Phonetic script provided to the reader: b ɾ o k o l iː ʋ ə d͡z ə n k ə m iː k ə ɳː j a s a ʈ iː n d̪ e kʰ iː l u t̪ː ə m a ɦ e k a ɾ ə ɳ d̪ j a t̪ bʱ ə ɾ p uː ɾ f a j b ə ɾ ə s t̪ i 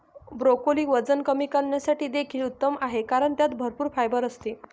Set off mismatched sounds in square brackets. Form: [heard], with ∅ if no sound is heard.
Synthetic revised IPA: b ɾ o k o l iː ʋ ə d͡z ə n k ə m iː k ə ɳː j a s a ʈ iː [∅] d̪ e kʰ iː l u t̪ː ə m a ɦ e k a ɾ ə ɳ [t̪] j a t̪ bʱ ə ɾ p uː ɾ f a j b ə ɾ ə s t̪ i